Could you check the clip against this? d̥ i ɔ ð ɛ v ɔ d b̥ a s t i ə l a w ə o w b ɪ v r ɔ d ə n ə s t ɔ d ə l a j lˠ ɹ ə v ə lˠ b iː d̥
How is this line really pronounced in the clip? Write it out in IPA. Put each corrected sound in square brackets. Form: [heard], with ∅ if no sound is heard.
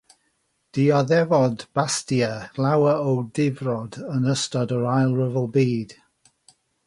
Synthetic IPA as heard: d̥ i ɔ ð ɛ v ɔ d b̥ a s t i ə l a w ə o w [d] ɪ v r ɔ d ə n ə s t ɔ d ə [ɹ] a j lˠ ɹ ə v ə lˠ b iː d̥

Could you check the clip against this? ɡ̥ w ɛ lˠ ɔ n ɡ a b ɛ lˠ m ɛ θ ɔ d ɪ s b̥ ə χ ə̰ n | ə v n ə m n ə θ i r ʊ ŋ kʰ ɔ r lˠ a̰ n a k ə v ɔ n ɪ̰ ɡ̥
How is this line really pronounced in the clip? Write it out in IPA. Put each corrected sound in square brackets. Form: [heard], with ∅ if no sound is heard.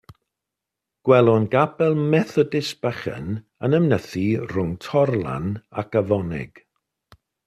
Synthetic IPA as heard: ɡ̥ w ɛ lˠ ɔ n ɡ a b ɛ lˠ m ɛ θ ɔ d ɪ s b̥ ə χ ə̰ n | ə [∅] n ə m n ə θ i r ʊ ŋ [tʰ] ɔ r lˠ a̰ n a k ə v ɔ n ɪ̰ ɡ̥

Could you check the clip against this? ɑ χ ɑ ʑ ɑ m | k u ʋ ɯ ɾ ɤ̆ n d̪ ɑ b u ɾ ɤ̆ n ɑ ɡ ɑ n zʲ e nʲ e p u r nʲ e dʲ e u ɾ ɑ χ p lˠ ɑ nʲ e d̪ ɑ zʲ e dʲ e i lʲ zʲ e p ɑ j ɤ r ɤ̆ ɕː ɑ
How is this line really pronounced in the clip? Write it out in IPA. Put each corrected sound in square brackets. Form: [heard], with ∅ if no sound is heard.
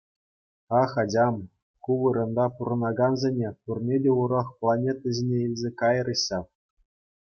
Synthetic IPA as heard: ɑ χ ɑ [d͡ʑ] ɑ m | k u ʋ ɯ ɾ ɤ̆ n d̪ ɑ [p] u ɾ ɤ̆ n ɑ ɡ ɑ n zʲ e nʲ e p u r nʲ e dʲ e u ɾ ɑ χ p lˠ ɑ nʲ e [t̪] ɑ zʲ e [nʲ] e i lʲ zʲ e [k] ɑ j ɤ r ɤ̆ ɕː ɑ

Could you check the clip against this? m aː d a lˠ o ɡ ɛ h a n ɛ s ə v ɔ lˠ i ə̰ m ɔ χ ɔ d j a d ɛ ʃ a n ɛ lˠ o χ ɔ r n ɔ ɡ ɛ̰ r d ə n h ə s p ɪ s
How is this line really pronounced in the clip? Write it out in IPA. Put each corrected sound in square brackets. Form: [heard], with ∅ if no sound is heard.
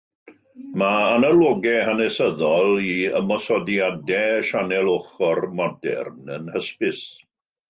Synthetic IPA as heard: m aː [n] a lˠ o ɡ ɛ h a n ɛ s ə [ð] ɔ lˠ i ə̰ m ɔ [s] ɔ d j a d ɛ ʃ a n ɛ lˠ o χ ɔ r [m] ɔ [d] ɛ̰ r [n] ə n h ə s p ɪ s

